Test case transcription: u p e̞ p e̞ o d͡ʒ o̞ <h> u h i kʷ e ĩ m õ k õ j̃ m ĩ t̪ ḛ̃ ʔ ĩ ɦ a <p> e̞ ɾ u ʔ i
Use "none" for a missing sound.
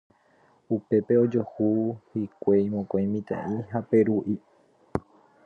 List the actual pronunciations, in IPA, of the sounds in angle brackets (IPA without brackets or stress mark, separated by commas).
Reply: h, p